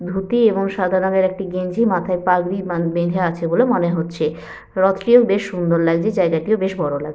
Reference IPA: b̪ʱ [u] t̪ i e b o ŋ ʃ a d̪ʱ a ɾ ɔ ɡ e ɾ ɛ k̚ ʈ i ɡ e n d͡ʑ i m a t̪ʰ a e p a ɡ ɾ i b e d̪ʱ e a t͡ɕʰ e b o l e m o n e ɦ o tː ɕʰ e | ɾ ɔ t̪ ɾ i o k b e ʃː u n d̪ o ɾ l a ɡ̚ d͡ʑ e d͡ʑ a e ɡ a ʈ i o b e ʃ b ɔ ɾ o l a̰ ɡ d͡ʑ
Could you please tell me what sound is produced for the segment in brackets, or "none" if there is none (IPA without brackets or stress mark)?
u